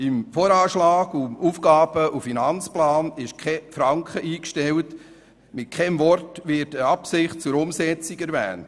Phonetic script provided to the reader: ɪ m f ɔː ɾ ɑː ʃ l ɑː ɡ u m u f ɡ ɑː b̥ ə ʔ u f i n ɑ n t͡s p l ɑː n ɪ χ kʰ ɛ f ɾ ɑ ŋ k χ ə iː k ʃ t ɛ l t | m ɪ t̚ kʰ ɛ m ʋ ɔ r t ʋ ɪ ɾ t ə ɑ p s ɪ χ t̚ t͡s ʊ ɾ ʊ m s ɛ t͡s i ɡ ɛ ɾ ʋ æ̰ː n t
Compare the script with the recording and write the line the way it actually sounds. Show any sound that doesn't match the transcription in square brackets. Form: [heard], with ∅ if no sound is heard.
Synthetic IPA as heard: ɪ m f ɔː ɾ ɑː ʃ l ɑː ɡ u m u f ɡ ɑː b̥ ə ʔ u f i n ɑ n t͡s p l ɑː n ɪ [ʃ] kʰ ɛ f ɾ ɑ ŋ k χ ə iː k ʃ t ɛ l t | m ɪ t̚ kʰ ɛ m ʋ ɔ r t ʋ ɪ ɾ t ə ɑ p s ɪ χ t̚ t͡s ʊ ɾ ʊ m s ɛ t͡s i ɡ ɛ ɾ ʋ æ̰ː n t

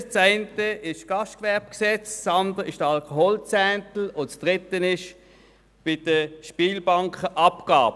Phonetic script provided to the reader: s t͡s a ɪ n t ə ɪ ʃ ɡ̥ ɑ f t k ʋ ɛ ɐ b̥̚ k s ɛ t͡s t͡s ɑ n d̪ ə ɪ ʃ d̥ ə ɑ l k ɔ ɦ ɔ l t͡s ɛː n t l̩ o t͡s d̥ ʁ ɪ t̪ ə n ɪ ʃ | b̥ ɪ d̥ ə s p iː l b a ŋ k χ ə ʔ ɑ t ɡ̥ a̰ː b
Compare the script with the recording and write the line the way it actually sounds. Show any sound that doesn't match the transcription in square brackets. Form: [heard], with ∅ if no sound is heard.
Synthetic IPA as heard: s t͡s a ɪ n t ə ɪ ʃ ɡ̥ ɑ [ʃ] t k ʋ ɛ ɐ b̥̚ k s ɛ t͡s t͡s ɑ n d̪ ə ɪ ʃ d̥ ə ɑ l k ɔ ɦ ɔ l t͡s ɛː n t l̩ o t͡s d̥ ʁ ɪ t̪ ə n ɪ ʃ | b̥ ɪ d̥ ə [ʃ] p iː l b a ŋ k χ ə ʔ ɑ [p] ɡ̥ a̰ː b

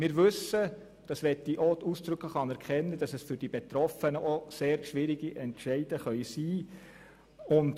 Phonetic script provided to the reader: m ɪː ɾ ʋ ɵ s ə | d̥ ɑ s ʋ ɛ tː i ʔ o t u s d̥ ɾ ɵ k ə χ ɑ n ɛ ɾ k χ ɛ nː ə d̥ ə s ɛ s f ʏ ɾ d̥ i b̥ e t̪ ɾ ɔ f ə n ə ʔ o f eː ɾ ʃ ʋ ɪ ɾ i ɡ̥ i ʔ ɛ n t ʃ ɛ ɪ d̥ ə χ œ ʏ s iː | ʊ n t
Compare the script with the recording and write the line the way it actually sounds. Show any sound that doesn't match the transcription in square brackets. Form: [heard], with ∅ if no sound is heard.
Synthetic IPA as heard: m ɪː ɾ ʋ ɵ s ə | d̥ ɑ s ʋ ɛ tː i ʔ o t u s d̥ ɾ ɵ k ə χ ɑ n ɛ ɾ k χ ɛ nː ə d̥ [ɑ] s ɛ s f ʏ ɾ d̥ i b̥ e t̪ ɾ ɔ f ə n ə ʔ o [s] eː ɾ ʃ ʋ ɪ ɾ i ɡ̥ i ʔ ɛ n t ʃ ɛ ɪ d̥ ə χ œ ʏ s iː | ʊ n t

